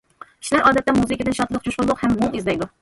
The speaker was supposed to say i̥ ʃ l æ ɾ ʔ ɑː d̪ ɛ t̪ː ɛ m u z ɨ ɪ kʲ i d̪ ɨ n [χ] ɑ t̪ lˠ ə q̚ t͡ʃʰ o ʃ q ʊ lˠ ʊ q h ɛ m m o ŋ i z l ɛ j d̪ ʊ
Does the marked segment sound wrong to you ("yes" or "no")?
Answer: yes